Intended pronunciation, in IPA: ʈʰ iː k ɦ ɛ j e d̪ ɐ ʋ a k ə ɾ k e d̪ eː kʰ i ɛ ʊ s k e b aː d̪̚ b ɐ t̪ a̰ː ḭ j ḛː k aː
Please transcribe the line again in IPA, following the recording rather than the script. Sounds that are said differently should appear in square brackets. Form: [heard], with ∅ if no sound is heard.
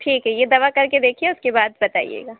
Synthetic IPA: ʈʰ iː k ɦ ɛ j e d̪ ɐ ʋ a k [ɐ] ɾ k e d̪ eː kʰ i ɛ ʊ s k e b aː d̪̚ b ɐ t̪ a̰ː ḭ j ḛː [ɡ] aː